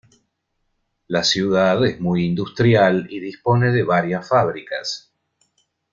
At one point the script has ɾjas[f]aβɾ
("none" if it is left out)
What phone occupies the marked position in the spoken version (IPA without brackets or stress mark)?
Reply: f